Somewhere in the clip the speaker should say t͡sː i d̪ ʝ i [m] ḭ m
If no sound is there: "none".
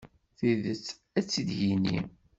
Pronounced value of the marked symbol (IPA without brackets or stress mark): n